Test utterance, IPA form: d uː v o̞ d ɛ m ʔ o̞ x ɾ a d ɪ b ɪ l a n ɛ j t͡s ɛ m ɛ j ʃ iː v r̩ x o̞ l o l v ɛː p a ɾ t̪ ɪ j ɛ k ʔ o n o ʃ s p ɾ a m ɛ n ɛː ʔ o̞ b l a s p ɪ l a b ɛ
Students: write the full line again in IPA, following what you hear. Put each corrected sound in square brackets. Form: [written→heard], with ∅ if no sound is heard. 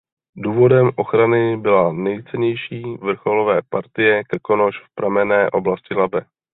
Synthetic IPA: d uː v o̞ d ɛ m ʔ o̞ x ɾ a [d→n] ɪ b ɪ l a n ɛ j t͡s ɛ [m→ɲ] ɛ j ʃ iː v r̩ x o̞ l o [l→∅] v ɛː p a ɾ t̪ ɪ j ɛ k [ʔ→k] o n o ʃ [s→f] p ɾ a m ɛ n ɛː ʔ o̞ b l a s [p→c] ɪ l a b ɛ